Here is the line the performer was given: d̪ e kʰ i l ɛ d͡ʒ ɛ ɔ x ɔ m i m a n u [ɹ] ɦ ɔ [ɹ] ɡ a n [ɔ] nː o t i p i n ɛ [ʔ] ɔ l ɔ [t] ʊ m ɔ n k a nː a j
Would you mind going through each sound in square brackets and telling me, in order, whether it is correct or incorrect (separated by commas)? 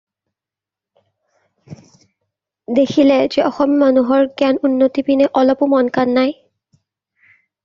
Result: incorrect, correct, incorrect, correct, incorrect